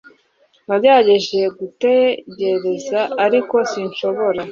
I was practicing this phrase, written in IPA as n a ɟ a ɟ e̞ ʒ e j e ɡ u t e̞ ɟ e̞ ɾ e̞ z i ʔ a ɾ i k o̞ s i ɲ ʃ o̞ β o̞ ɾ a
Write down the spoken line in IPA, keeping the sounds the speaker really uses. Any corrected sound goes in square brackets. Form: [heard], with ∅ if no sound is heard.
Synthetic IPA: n a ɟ a ɟ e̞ ʒ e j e ɡ u t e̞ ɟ e̞ ɾ e̞ z [a] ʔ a ɾ i k o̞ s i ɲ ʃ o̞ β o̞ ɾ a